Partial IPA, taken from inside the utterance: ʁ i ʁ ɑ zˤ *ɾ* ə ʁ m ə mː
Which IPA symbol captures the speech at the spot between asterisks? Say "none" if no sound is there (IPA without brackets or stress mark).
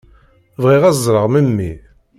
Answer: ɾ